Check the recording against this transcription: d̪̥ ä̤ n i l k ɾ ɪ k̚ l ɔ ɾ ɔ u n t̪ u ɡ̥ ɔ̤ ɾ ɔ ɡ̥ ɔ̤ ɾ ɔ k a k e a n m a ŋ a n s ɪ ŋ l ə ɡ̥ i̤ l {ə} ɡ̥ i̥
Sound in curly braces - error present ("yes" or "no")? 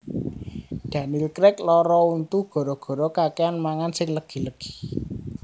no